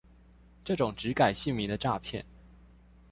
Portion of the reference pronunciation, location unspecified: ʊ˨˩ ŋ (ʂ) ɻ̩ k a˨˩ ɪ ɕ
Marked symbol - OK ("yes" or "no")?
no